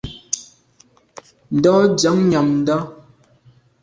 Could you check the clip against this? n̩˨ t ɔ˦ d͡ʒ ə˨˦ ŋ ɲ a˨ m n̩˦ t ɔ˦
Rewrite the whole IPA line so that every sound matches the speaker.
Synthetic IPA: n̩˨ d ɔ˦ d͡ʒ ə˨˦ ŋ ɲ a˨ m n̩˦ d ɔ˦